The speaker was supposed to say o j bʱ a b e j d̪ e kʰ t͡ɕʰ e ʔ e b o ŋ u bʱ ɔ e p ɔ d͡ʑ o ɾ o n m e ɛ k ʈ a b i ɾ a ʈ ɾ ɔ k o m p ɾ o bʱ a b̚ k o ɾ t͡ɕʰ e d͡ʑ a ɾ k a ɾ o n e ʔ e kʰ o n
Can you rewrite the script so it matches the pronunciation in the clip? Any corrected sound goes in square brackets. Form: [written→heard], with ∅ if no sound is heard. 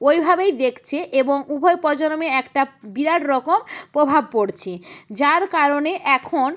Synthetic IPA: o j bʱ a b e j d̪ e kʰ t͡ɕʰ e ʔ e b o ŋ u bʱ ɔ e p ɔ d͡ʑ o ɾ o [n→∅] m e ɛ k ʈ a b i ɾ a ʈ ɾ ɔ k o m p ɾ o bʱ a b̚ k o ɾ t͡ɕʰ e d͡ʑ a ɾ k a ɾ o n e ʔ [e→ɛ] kʰ o n

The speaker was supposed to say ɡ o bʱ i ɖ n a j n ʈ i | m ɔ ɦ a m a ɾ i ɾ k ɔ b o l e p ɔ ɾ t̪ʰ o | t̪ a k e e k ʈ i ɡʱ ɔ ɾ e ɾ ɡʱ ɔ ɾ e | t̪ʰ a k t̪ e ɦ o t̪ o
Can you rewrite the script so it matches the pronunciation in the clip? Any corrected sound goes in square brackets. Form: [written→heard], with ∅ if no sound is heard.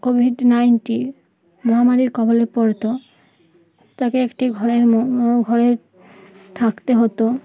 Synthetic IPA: [ɡ→k] o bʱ i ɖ n a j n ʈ i | m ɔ ɦ a m a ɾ i ɾ k ɔ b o l e p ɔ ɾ [t̪ʰ→t̪] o | t̪ a k e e k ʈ i ɡʱ ɔ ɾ e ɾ ɡʱ ɔ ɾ e | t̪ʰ a k t̪ e ɦ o t̪ o

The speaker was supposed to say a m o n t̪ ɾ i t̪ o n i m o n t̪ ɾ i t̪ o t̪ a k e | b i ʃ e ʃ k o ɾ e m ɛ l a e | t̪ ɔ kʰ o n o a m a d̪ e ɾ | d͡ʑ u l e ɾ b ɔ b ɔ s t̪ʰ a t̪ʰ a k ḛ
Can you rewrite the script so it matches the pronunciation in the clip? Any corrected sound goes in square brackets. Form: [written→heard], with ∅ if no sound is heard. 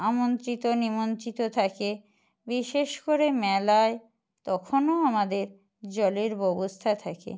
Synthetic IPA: a m o n t̪ ɾ i t̪ o n i m o n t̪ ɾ i t̪ o [t̪→t̪ʰ] a k e | b i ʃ e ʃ k o ɾ e m ɛ l a e | t̪ ɔ kʰ o n o a m a d̪ e ɾ | d͡ʑ [u→ɔ] l e ɾ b ɔ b [ɔ→o] s t̪ʰ a t̪ʰ a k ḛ

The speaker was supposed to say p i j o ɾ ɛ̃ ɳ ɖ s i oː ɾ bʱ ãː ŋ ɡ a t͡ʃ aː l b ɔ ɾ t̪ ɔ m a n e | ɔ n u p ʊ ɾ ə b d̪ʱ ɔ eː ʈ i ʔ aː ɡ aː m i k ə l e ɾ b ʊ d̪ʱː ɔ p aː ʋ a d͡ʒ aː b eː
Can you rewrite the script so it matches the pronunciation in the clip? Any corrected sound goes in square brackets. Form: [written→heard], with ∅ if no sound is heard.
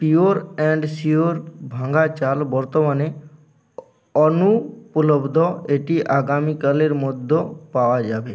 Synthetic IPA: p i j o ɾ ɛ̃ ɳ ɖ s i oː ɾ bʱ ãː ŋ ɡ a t͡ʃ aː l b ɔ ɾ t̪ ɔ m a n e | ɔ n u p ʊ [ɾ→l] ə b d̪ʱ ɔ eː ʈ i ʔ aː ɡ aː m i k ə l e ɾ [b→m] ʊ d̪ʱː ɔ p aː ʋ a d͡ʒ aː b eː

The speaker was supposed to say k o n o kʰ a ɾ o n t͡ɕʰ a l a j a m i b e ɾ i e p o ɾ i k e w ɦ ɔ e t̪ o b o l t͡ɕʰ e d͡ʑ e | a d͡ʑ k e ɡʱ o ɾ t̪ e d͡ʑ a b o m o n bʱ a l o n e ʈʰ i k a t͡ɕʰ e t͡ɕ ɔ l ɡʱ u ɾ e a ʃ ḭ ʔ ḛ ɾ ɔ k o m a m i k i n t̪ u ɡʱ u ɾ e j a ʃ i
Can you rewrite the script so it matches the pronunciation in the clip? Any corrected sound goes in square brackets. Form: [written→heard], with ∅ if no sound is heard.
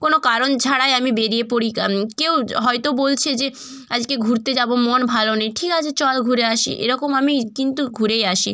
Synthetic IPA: k o n o [kʰ→k] a ɾ o n t͡ɕʰ a [l→ɽ] a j a m i b e ɾ i e p o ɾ i k e w ɦ ɔ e t̪ o b o l t͡ɕʰ e d͡ʑ e | a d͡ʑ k e ɡʱ [o→u] ɾ t̪ e d͡ʑ a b o m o n bʱ a l o n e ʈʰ i k a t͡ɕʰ e t͡ɕ ɔ l ɡʱ u ɾ e a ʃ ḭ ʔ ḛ ɾ ɔ k o m a m i k i n t̪ u ɡʱ u ɾ e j a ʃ i

